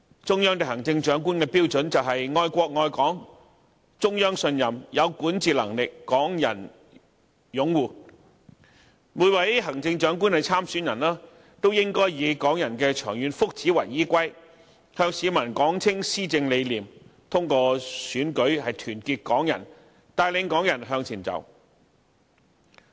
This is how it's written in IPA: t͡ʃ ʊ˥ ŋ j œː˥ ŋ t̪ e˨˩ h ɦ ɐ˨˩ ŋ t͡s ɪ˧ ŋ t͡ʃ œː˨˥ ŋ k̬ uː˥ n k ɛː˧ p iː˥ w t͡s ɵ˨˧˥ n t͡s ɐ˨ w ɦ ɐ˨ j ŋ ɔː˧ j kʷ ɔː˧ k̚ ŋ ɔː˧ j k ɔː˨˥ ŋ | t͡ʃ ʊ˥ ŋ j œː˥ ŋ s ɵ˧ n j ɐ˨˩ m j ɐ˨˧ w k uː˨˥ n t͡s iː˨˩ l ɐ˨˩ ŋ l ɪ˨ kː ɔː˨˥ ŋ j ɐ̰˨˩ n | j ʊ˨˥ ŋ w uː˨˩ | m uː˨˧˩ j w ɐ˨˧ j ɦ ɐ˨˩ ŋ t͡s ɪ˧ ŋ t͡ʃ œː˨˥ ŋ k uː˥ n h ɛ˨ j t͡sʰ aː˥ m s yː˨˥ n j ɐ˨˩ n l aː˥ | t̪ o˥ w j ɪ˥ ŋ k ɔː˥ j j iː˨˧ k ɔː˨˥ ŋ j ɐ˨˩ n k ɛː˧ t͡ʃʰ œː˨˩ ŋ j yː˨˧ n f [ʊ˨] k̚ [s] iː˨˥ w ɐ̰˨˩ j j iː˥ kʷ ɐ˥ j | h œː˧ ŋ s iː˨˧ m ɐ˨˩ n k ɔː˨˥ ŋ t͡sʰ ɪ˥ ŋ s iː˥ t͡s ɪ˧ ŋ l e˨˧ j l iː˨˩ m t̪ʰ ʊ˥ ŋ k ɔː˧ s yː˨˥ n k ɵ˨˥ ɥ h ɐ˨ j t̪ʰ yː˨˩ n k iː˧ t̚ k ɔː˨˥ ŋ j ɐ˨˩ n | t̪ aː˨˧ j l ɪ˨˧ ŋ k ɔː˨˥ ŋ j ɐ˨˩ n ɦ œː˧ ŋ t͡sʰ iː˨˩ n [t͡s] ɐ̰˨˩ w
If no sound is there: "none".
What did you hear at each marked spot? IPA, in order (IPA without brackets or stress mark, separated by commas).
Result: ʊ˥, t͡s, t͡s